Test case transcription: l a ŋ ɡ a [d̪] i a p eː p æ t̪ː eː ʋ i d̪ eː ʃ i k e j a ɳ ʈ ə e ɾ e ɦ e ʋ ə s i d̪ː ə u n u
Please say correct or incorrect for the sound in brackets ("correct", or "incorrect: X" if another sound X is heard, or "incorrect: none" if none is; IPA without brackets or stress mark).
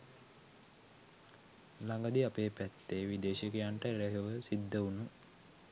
correct